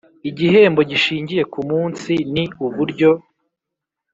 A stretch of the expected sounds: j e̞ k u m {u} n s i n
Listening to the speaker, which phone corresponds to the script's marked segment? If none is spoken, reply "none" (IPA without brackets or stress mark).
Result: uː